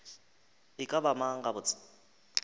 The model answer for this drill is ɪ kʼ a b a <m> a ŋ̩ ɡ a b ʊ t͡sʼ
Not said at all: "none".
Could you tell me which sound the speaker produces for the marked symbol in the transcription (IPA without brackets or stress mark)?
m